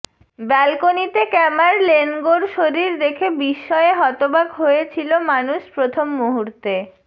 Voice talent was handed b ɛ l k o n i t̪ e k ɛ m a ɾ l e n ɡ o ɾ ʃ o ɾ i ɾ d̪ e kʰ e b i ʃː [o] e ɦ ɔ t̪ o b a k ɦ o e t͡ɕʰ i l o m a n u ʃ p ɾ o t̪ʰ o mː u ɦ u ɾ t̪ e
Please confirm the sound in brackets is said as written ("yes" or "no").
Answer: no